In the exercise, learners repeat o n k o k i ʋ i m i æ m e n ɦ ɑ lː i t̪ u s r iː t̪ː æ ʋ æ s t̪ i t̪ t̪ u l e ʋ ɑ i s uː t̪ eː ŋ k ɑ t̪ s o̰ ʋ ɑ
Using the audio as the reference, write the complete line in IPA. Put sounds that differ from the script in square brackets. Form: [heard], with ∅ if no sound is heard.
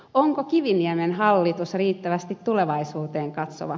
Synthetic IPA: o [ŋ] k o k i ʋ i [n] i æ m e n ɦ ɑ lː i t̪ u s r iː t̪ː æ ʋ æ s t̪ i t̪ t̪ u l e ʋ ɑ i s uː t̪ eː ŋ k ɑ t̪ s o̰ ʋ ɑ

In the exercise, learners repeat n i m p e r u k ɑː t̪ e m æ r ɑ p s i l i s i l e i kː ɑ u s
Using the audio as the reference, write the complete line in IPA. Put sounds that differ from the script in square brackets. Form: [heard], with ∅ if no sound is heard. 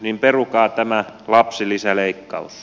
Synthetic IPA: n i m p e r u k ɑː t̪ [æ] m æ [l] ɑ p s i l i s [æ] l e i kː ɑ u s

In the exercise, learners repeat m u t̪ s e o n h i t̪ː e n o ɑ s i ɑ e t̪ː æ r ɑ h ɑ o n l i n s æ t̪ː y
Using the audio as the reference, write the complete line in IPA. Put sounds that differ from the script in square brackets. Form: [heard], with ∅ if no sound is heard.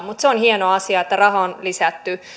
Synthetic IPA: m u t̪ s e o n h i [∅] e n o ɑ s i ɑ e t̪ː æ r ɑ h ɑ o n l i [∅] s æ t̪ː y

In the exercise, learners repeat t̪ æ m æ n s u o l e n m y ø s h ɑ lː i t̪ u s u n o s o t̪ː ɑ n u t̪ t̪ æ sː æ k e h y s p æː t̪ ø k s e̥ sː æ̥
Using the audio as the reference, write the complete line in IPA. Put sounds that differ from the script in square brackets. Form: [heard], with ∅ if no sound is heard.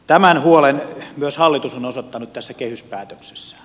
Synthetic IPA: t̪ æ m æ n [h] u o l e n m y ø s h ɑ lː i t̪ u s [o] n o s o t̪ː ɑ n u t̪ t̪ æ sː æ k e h y s p æː t̪ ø k s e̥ sː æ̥

